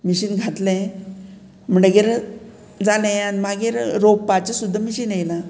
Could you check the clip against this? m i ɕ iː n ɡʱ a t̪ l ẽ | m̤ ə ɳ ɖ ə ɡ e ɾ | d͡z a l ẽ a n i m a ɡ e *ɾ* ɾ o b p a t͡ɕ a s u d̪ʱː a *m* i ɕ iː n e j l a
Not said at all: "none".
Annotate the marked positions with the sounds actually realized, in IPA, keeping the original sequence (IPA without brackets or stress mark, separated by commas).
ɾ, m